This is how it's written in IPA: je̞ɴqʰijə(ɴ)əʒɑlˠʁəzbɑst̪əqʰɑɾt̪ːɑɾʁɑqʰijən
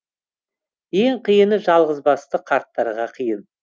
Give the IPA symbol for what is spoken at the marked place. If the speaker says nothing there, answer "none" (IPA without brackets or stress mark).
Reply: n